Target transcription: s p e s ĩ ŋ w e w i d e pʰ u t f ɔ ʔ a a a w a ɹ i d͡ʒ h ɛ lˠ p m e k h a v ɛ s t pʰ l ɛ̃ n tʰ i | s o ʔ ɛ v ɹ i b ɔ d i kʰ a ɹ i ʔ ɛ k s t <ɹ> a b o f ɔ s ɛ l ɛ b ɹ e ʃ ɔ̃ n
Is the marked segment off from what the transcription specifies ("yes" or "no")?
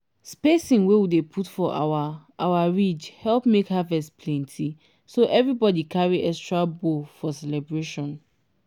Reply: no